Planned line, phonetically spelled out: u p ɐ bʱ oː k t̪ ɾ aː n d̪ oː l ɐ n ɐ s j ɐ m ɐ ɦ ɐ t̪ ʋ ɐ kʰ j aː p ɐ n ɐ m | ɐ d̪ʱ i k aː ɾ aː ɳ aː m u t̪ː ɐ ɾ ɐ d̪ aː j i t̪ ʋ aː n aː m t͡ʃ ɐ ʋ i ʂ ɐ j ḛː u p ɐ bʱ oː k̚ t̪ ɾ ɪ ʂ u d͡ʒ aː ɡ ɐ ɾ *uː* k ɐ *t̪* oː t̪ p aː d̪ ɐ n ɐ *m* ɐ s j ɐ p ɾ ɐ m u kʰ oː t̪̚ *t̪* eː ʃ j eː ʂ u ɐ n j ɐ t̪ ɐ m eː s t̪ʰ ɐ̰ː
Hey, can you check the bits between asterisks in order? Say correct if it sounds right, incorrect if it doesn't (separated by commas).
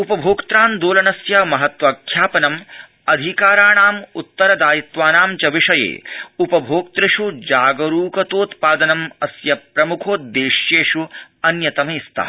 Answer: correct, correct, correct, incorrect